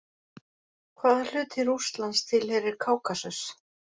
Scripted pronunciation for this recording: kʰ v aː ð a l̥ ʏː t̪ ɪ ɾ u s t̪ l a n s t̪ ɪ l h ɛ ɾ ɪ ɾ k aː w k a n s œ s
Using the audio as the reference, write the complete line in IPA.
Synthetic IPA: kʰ v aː ð a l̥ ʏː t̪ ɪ ɾ u s t̪ l a n s t̪ʰ ɪ l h ɛ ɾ ɪ ɾ kʰ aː w k a s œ s